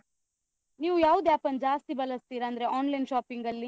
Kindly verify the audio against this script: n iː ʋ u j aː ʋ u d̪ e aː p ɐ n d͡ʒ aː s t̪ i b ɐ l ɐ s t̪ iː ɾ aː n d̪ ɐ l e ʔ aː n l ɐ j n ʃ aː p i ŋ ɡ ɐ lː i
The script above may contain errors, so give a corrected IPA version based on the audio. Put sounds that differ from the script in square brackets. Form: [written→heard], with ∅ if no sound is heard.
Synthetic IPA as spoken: n iː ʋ u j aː ʋ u d̪ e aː p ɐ n d͡ʒ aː s t̪ i b ɐ l ɐ s t̪ iː ɾ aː n d̪ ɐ [l→ɾ] e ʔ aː n l ɐ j n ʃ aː p i ŋ ɡ ɐ lː i